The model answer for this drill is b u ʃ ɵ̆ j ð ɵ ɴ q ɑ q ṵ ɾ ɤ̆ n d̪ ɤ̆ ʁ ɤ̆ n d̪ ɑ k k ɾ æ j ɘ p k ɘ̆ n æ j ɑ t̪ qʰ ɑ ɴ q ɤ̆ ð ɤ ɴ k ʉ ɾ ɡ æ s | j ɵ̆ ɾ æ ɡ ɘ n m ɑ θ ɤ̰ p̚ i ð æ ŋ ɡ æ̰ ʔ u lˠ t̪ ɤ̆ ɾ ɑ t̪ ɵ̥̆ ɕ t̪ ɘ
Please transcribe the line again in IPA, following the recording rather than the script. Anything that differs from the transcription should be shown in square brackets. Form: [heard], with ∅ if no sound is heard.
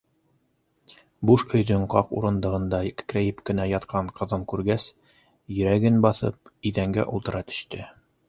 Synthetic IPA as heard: b u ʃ ɵ̆ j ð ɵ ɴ q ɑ q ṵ ɾ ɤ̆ n d̪ ɤ̆ ʁ ɤ̆ n d̪ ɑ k k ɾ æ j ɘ p k ɘ̆ n æ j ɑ t̪ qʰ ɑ ɴ q ɤ̆ ð ɤ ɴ k ʉ ɾ ɡ æ s | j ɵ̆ ɾ æ ɡ ɘ n [b] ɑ θ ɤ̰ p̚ i ð æ ŋ ɡ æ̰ ʔ u lˠ t̪ ɤ̆ ɾ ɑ t̪ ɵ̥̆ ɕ t̪ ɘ